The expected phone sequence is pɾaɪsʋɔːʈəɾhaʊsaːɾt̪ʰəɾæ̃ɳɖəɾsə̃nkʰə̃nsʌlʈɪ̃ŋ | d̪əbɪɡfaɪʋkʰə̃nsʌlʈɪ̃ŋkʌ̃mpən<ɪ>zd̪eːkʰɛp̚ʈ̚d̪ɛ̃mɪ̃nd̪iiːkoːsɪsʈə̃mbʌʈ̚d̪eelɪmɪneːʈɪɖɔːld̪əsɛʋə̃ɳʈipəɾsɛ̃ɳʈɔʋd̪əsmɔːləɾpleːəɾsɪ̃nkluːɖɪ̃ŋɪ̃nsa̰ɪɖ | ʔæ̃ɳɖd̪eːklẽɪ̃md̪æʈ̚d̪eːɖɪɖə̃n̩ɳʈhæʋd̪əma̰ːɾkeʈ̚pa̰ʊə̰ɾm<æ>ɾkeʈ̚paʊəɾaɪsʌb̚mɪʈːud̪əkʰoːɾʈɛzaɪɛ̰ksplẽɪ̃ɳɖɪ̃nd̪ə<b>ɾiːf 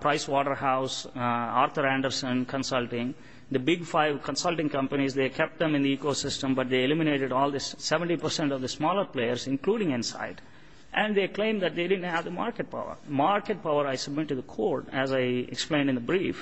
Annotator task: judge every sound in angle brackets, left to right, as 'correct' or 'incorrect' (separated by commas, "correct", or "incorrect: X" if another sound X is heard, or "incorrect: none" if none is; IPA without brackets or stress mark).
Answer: incorrect: i, incorrect: a, correct